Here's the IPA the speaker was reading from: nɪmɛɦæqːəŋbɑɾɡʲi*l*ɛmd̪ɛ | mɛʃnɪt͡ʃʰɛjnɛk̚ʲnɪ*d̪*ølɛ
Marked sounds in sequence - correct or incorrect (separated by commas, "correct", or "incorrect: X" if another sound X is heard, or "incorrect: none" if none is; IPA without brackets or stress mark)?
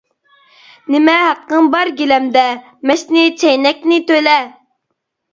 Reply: correct, incorrect: t̪